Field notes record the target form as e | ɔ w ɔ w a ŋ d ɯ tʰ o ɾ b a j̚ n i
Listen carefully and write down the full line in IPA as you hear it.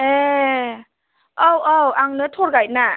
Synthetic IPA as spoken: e | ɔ w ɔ w a ŋ n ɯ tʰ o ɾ ɡ a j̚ n a